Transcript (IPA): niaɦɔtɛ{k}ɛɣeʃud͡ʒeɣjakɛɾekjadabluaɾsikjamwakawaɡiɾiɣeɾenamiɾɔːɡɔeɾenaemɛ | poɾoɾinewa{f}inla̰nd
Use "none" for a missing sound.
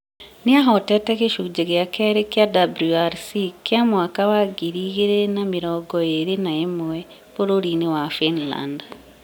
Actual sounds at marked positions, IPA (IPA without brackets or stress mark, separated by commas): t, f